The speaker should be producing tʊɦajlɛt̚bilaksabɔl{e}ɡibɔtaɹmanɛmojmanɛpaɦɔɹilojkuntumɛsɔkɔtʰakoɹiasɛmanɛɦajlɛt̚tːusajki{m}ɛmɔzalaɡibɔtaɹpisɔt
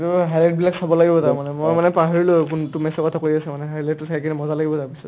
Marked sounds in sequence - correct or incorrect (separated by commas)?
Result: incorrect, incorrect